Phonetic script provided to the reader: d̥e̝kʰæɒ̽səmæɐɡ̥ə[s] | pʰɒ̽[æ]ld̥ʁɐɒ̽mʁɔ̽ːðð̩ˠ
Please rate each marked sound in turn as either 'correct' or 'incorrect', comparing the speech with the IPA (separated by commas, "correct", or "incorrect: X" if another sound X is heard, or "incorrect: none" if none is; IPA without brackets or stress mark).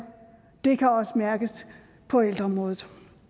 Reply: correct, incorrect: e